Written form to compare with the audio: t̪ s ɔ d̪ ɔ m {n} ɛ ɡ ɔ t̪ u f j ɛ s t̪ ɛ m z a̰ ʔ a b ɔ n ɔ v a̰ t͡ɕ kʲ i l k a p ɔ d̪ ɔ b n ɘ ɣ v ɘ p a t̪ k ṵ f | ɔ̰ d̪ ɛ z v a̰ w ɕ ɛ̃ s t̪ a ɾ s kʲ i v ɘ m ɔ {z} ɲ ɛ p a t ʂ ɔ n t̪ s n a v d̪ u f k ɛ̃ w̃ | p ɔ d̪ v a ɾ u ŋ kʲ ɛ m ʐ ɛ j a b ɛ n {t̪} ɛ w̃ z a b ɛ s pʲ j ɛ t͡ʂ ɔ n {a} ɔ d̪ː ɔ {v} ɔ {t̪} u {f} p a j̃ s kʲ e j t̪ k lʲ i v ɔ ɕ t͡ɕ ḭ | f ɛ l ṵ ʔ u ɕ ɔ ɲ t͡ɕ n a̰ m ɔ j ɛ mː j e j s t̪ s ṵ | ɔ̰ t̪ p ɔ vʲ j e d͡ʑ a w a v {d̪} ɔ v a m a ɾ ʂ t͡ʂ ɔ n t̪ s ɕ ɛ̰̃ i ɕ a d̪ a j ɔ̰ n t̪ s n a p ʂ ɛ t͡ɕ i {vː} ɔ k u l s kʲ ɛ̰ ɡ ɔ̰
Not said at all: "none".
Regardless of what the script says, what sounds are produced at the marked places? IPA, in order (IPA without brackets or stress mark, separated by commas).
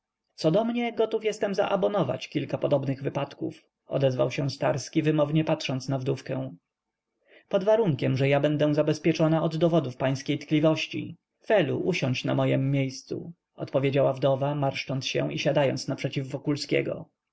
ɲ, v, d̪, a, v, d̪, f, d̪, vː